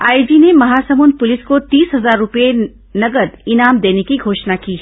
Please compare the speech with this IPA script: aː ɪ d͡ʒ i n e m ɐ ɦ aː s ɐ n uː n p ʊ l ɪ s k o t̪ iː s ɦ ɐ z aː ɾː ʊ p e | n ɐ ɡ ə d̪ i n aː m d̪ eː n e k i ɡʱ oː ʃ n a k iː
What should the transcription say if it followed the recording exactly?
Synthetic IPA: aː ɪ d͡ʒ i n e m ɐ ɦ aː s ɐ m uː n p ʊ l ɪ s k o t̪ iː s ɦ ɐ z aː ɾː ʊ p e | n ɐ ɡ ə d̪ ɪ n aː m d̪ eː n e k i ɡʱ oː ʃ n a k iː